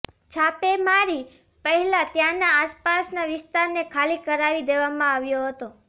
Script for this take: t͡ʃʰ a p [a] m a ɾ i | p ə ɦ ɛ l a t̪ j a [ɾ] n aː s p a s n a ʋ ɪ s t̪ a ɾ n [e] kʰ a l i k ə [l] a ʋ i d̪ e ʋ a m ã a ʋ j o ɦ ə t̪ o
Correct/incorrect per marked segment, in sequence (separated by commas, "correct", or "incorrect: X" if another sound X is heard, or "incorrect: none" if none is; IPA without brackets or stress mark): incorrect: e, incorrect: none, correct, incorrect: ɾ